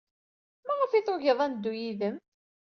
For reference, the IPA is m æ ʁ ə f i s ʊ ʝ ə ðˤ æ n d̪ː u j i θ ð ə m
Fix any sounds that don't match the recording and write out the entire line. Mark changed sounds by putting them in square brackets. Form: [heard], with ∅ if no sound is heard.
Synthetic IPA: m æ ʁ ə f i [θ] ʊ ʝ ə ðˤ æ n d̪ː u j i [∅] ð ə m